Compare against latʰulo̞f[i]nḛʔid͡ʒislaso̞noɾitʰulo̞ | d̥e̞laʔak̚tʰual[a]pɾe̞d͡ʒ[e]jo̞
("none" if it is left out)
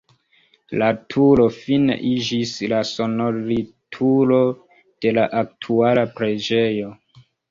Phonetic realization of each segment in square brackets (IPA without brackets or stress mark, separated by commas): i, a, e